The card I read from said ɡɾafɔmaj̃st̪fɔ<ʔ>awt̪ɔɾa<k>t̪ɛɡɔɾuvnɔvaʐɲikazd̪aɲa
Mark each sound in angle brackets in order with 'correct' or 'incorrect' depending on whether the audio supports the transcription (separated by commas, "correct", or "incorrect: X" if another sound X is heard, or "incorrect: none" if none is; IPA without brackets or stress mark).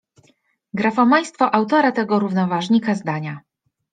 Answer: correct, incorrect: none